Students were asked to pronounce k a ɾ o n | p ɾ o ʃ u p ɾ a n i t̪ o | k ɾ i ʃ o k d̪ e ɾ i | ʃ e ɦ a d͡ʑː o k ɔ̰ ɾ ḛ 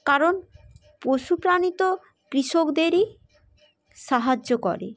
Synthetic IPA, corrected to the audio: k a ɾ o n | p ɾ o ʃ u p ɾ a n i t̪ o | k ɾ i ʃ o k d̪ e ɾ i | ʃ a ɦ a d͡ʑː o k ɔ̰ ɾ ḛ